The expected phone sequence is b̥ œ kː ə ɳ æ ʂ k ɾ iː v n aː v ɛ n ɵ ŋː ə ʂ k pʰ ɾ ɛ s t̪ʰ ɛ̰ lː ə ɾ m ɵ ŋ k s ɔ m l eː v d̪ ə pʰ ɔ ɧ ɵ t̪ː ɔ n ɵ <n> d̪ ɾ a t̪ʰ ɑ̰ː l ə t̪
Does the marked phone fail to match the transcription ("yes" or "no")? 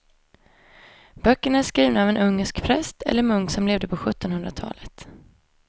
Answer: no